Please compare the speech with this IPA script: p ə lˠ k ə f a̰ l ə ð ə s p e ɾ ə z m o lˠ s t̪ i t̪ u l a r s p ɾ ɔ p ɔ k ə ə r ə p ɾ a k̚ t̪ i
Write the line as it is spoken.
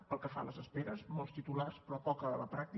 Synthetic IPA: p ə lˠ k ə f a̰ l ə z ə s p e ɾ ə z m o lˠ s t̪ i t̪ u l a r s p ɾ ɔ p ɔ k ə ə l ə p ɾ a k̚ t̪ i